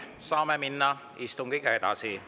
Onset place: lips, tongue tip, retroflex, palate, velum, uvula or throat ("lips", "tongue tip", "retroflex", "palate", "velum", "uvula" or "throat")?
tongue tip